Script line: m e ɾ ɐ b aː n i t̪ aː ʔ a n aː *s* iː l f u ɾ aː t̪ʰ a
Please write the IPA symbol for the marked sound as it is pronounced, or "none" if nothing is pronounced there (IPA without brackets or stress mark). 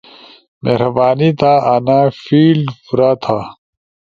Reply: f